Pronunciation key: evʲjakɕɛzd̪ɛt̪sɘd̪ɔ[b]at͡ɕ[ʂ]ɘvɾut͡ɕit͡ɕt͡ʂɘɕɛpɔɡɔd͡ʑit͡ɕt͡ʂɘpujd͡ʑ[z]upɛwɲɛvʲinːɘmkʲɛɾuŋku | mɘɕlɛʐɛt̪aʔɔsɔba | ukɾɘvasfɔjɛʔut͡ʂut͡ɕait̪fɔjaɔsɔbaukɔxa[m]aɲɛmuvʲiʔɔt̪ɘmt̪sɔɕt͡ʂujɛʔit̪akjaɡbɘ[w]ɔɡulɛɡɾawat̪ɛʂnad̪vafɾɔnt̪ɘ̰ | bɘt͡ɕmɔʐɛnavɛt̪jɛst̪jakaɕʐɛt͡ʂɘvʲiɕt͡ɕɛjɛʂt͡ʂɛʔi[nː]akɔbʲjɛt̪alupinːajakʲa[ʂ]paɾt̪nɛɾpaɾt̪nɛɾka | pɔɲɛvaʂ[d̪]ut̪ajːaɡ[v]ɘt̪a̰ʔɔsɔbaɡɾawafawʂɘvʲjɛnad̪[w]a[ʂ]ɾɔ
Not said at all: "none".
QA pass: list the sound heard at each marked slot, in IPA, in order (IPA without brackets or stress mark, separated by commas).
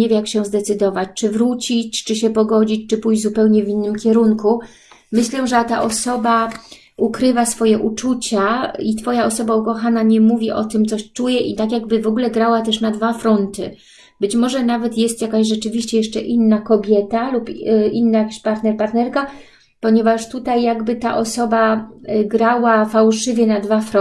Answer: v, t͡ʂ, z, n, v, nː, ɕ, t̪, b, v, f